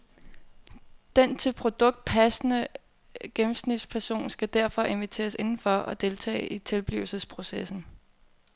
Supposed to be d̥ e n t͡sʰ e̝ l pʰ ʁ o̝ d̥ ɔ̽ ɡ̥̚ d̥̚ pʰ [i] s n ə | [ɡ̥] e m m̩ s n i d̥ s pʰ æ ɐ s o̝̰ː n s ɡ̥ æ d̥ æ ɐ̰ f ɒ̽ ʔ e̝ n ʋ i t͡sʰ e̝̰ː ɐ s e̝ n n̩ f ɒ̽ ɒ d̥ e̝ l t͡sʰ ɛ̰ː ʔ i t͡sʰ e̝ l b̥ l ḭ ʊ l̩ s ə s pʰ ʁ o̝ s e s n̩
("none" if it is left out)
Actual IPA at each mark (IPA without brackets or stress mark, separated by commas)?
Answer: æ, ɡ̥